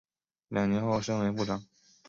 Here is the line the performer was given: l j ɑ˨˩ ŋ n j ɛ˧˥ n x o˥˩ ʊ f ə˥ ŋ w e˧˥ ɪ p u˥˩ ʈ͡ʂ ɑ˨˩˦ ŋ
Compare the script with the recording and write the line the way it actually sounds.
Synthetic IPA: l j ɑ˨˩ ŋ n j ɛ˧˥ n x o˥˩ ʊ ʂ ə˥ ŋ w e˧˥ ɪ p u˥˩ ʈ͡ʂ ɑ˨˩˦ ŋ